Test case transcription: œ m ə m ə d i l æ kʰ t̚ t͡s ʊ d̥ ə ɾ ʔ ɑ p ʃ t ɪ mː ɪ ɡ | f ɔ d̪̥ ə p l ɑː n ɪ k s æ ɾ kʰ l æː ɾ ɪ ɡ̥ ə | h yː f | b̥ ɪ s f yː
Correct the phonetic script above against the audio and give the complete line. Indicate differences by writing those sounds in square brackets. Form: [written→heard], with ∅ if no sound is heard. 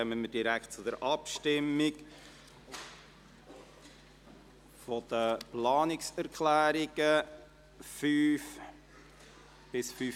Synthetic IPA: œ m ə m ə d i [l→ɾ] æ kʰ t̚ t͡s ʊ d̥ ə ɾ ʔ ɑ p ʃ t ɪ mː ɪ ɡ | f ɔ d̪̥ ə p l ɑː n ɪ k s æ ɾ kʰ l æː ɾ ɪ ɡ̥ ə | [h→f] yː f | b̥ ɪ s f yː